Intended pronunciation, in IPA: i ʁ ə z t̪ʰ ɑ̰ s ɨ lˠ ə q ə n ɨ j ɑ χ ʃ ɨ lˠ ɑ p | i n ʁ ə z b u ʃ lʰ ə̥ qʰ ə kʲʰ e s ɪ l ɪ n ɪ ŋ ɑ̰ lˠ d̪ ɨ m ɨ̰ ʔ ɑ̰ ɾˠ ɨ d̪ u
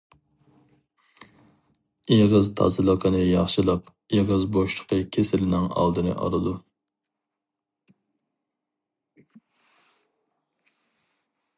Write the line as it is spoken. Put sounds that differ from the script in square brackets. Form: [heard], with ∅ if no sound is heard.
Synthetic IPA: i ʁ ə z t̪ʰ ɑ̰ [z] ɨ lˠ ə q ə n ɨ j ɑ χ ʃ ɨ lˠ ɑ p | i [∅] ʁ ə z b [o] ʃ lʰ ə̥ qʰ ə kʲʰ e s ɪ l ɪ n ɪ ŋ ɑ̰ lˠ d̪ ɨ [n] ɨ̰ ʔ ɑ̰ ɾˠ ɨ d̪ u